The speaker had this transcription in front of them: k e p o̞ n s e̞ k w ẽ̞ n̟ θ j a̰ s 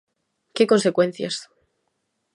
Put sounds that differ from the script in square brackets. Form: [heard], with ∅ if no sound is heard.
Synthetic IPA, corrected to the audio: k e [k] o̞ n s e̞ k w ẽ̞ n̟ θ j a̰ s